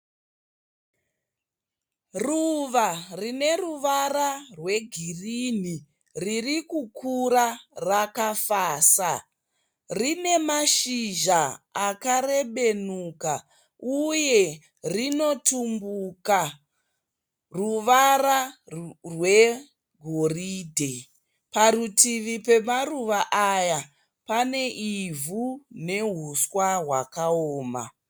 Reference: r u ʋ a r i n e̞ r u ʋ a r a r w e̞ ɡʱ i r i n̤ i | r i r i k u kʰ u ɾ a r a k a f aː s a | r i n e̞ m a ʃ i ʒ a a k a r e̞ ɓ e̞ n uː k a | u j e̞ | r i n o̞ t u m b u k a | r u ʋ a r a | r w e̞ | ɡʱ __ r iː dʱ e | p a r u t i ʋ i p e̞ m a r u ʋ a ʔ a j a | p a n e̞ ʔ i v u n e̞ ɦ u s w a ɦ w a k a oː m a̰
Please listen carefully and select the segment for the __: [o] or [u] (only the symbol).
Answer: o